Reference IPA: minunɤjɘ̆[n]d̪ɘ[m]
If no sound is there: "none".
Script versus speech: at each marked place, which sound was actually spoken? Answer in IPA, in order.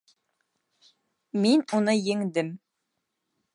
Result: ŋ, m

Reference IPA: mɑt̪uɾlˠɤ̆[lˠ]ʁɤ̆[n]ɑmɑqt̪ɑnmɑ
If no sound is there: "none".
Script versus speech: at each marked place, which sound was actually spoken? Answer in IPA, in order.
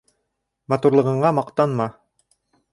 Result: none, ɴ

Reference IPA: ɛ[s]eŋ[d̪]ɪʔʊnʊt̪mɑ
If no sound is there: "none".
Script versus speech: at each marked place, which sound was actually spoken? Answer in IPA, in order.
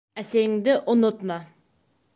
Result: s, d̪

